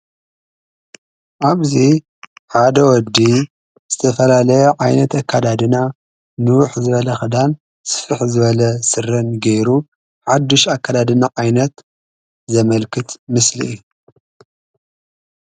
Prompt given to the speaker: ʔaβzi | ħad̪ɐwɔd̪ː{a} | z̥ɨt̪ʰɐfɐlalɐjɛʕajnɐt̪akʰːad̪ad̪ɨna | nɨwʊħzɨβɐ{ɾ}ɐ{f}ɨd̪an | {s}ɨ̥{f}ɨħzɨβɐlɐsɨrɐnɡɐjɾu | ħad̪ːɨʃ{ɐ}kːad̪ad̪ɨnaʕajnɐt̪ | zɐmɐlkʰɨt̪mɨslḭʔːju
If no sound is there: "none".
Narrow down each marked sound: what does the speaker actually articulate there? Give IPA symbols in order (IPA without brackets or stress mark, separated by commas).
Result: i, l, x, s, f, a